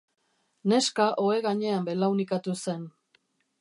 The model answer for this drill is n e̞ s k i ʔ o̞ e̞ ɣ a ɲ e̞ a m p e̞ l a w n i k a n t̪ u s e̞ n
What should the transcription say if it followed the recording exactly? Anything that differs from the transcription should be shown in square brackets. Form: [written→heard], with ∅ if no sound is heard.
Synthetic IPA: n e̞ s k [i→a] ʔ o̞ e̞ ɣ a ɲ e̞ a m [p→b] e̞ l a w n i k a [n→∅] t̪ u s e̞ n